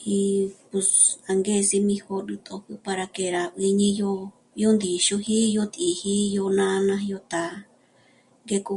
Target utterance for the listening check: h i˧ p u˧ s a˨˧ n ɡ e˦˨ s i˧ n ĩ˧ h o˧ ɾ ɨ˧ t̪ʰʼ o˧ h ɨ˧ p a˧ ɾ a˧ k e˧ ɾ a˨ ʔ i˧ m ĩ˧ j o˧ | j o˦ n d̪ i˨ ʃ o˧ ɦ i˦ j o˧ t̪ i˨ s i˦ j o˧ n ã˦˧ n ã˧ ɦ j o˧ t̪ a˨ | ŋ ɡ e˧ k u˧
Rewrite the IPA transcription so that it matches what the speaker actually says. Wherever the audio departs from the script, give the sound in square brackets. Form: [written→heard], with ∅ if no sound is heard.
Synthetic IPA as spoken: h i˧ p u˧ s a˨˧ [n→ŋ] ɡ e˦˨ s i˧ [n→m] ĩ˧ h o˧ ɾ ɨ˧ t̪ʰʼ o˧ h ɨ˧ p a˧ ɾ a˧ k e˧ ɾ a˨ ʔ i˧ [m→ɲ] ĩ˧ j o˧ | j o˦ n d̪ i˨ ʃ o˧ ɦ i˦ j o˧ t̪ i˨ [s→h] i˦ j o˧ n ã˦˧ n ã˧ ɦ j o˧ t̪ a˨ | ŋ ɡ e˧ k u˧